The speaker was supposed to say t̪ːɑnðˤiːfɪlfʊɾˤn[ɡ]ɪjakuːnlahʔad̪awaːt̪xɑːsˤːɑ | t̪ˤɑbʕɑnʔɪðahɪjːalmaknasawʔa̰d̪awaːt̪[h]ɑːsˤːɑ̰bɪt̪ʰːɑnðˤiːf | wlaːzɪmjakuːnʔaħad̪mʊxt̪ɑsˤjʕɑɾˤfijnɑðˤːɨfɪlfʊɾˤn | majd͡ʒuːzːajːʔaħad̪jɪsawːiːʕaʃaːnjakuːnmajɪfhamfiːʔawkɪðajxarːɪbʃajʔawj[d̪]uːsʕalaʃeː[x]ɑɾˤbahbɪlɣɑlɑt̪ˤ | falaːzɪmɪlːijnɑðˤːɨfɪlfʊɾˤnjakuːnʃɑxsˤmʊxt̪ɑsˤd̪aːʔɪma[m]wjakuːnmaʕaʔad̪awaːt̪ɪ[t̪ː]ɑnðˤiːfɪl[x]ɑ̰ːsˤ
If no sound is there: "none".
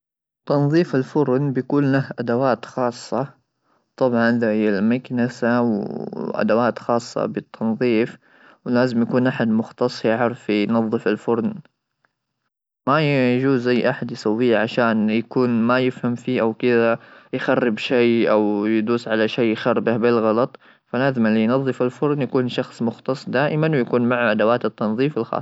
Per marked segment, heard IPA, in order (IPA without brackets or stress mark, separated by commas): b, x, d̪, x, n, t̪ː, x